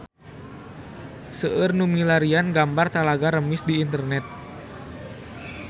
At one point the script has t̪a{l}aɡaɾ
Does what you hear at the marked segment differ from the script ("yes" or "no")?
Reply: no